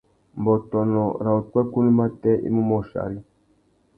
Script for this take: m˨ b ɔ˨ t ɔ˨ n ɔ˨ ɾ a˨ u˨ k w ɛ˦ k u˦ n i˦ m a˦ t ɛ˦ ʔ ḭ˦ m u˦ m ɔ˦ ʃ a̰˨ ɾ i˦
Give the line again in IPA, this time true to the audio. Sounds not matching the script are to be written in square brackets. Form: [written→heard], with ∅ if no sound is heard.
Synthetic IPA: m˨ b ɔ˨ t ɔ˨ n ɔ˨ ɾ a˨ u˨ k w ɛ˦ k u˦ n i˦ m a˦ t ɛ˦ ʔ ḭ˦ m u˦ m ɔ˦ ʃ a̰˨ ɾ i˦